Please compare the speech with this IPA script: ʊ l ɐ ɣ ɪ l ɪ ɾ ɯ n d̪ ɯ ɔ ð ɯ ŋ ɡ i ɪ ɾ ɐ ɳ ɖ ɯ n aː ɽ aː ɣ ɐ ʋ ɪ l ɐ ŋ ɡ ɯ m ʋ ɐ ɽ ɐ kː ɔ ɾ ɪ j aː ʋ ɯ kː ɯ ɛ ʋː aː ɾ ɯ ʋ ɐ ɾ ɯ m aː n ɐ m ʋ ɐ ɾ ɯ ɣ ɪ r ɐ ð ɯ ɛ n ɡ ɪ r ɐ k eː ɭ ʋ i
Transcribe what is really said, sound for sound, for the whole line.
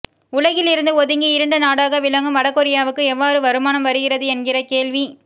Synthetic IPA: ʊ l ɐ ɣ ɪ l ɪ ɾ ɯ n d̪ ɯ ɔ ð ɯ ŋ ɡ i ɪ ɾ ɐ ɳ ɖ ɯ n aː ɽ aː ɣ ɐ ʋ ɪ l ɐ ŋ ɡ ɯ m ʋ ɐ ɽ ɐ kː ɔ ɾ ɪ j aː ʋ ɯ kː ɯ ɛ ʋː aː ɾ ɯ ʋ ɐ ɾ ɯ m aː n ɐ m ʋ ɐ ɾ ɯ ɣ ɪ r ɐ ð ɯ ɛ n ɡ ɪ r ɐ k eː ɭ ʋ i